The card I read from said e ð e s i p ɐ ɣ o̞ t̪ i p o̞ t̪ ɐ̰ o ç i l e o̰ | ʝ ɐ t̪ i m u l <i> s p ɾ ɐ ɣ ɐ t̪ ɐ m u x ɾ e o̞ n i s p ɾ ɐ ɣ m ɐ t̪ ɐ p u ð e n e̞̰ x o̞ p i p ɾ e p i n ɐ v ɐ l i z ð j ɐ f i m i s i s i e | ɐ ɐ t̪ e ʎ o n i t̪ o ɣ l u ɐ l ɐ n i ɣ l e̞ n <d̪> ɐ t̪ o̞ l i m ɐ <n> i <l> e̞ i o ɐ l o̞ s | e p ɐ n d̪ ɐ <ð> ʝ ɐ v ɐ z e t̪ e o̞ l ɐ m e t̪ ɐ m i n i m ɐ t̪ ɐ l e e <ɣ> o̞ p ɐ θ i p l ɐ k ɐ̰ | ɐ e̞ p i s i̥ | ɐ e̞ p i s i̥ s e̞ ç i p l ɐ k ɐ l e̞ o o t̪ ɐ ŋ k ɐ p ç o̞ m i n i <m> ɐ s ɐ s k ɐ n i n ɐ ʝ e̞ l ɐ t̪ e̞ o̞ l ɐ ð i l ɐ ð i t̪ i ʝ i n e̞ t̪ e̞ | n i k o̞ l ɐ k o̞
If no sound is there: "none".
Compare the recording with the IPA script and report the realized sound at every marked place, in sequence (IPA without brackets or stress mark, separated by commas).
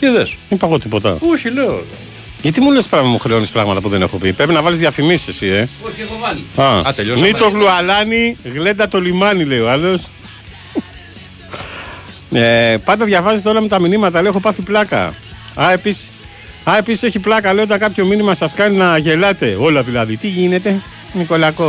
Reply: e, d̪, n, l, ð, x, m